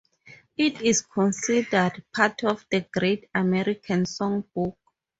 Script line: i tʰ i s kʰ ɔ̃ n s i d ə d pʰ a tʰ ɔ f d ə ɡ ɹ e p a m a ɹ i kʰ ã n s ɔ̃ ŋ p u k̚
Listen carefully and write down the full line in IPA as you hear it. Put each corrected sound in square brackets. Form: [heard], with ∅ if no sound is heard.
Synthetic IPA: i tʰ i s kʰ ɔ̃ n s i d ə d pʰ a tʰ ɔ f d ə ɡ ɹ e [t] a m [ɛ] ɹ i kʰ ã n s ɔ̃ ŋ [b] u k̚